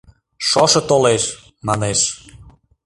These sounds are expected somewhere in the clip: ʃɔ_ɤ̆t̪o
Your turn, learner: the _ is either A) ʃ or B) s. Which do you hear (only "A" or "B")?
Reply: A